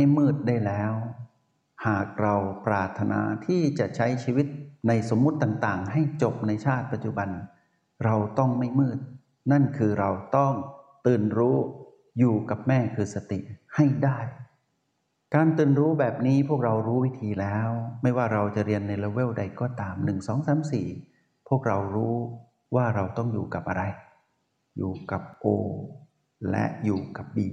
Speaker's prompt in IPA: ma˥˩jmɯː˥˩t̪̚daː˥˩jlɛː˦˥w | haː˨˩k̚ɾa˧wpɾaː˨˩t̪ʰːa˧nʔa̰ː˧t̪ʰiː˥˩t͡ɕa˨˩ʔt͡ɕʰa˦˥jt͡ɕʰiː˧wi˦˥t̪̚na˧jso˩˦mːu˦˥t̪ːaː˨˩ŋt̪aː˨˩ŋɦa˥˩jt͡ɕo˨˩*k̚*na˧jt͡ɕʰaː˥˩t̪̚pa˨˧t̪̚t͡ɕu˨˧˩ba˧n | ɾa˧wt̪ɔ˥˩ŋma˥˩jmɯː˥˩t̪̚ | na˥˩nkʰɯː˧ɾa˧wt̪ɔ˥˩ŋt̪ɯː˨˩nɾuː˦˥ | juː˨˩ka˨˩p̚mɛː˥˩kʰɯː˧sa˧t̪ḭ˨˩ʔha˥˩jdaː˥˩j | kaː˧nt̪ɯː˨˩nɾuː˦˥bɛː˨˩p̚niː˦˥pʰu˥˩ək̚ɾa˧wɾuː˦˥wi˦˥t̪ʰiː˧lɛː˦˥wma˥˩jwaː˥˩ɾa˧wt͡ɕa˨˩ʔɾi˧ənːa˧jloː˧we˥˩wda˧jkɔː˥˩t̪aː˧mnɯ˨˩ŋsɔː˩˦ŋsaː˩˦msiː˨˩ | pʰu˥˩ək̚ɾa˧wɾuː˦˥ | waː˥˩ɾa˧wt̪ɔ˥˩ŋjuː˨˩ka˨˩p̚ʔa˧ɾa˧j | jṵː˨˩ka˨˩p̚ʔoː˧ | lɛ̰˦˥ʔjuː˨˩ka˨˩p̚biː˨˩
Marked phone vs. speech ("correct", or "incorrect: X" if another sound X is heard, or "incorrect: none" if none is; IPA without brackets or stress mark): incorrect: p̚